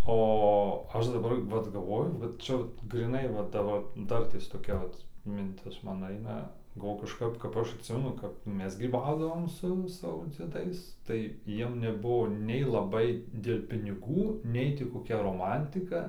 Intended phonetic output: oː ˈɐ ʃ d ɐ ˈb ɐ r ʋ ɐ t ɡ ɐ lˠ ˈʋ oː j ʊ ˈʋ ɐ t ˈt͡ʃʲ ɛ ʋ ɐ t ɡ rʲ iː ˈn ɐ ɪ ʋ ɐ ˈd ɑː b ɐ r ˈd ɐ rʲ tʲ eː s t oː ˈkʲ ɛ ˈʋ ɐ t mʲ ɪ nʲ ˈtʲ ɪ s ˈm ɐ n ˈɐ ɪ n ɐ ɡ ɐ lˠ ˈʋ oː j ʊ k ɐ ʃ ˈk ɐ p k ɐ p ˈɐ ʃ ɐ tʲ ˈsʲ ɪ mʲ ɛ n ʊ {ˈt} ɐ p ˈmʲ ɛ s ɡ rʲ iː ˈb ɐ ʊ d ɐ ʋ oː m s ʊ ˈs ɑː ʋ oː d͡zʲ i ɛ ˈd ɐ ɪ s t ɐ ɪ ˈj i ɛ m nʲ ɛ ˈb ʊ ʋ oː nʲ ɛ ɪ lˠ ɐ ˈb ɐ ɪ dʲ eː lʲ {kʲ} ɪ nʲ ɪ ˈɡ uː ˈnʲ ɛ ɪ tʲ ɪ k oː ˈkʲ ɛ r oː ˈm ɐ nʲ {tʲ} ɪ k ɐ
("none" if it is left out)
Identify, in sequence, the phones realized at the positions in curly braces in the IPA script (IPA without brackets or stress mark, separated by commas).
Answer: k, pʲ, tʲ